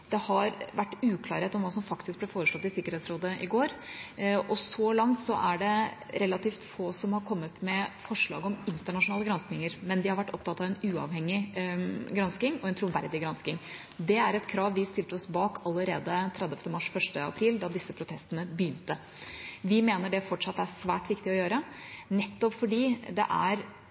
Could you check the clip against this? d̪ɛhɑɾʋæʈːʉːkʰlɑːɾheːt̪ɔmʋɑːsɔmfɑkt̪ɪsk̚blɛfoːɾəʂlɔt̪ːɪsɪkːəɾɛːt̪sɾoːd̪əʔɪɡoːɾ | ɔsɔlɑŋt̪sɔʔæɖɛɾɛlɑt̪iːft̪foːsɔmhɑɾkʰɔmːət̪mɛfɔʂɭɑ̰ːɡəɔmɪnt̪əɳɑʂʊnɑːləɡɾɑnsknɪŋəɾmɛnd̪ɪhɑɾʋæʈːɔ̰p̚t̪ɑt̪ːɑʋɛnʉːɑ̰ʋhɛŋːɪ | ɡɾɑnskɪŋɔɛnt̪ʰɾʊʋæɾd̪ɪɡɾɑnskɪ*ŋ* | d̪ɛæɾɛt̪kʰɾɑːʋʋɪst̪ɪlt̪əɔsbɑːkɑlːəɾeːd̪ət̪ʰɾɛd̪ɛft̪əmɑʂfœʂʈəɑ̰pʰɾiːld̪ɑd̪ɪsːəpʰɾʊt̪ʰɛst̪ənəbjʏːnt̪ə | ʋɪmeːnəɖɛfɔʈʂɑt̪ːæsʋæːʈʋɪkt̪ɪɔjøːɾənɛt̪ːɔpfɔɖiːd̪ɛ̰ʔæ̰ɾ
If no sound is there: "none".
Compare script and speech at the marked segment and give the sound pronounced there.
ŋ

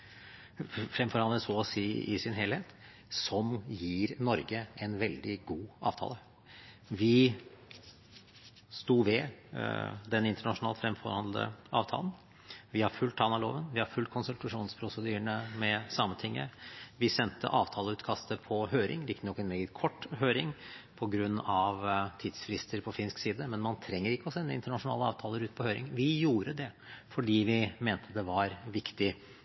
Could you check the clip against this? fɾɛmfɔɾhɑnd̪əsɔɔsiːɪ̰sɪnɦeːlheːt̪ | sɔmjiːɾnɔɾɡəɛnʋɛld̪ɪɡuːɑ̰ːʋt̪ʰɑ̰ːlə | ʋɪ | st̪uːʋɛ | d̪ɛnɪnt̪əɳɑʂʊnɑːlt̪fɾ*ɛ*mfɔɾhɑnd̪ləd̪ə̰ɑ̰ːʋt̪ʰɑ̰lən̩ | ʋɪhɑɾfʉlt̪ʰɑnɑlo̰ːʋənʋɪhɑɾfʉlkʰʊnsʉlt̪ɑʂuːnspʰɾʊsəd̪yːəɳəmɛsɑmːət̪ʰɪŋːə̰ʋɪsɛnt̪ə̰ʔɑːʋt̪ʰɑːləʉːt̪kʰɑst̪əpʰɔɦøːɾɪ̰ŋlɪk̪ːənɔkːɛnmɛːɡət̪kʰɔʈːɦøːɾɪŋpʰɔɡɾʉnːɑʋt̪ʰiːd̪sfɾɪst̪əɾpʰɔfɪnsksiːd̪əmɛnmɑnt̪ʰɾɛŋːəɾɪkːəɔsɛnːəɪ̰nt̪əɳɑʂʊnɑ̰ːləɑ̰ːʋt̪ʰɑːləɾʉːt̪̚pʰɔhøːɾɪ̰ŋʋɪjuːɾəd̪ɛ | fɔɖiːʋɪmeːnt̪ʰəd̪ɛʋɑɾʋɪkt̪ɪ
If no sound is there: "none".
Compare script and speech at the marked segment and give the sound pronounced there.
ɛ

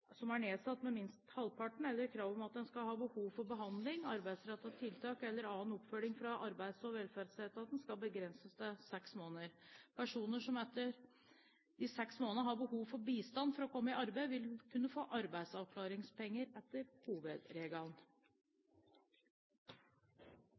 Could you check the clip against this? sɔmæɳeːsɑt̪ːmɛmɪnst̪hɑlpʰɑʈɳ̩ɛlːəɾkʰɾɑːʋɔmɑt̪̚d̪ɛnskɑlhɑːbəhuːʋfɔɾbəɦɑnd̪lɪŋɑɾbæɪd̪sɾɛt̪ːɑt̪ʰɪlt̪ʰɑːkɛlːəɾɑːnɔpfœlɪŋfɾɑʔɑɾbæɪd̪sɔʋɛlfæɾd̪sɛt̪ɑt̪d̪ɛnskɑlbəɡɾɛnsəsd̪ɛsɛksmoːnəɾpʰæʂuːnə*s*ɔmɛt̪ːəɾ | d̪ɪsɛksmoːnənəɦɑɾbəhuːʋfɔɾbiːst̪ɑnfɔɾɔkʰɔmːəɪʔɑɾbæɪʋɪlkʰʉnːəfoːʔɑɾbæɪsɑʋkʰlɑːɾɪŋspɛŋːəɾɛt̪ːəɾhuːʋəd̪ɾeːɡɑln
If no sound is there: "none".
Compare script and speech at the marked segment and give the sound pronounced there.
ʂ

